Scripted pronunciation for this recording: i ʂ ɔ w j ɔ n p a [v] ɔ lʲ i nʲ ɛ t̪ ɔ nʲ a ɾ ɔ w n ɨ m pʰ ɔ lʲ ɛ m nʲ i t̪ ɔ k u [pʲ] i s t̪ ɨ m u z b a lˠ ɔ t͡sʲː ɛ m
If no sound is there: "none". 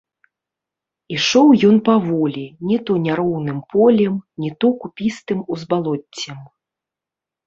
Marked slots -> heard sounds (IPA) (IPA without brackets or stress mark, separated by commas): v, pʲ